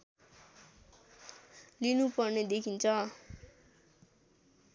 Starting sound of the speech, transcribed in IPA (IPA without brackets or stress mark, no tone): l